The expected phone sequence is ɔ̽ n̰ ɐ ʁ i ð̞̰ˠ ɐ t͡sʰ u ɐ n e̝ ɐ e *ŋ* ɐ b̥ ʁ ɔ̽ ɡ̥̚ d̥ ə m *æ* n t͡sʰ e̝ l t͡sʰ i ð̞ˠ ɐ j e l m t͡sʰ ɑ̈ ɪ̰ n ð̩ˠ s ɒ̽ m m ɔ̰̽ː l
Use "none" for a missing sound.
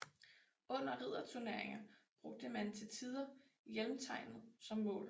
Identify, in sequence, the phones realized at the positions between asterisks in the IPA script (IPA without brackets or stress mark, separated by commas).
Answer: ŋ, æ